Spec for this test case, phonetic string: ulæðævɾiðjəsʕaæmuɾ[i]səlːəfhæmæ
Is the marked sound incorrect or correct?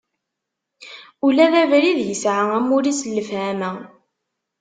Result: correct